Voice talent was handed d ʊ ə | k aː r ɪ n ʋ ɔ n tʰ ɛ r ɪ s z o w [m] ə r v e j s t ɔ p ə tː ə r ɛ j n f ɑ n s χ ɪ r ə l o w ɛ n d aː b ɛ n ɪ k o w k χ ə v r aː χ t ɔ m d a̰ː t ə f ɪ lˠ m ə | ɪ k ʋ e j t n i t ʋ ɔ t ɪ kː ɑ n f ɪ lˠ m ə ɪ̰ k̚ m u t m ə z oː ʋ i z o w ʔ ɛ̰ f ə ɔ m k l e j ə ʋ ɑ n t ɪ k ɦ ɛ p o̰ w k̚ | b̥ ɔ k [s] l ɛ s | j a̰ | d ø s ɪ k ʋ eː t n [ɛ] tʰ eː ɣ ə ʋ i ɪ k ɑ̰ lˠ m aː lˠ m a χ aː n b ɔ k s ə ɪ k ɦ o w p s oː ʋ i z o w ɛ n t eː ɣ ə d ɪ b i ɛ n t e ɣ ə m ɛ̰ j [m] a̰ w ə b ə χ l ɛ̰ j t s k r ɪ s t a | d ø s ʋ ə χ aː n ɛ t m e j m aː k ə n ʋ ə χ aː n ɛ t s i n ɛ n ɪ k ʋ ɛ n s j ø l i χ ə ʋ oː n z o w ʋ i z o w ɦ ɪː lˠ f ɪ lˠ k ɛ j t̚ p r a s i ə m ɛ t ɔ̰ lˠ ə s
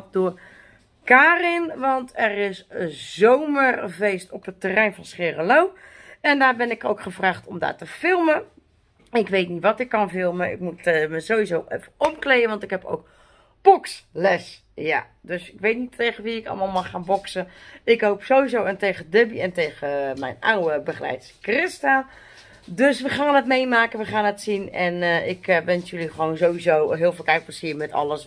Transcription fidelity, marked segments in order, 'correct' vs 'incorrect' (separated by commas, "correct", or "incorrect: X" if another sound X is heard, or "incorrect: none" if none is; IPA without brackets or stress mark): correct, correct, incorrect: i, incorrect: n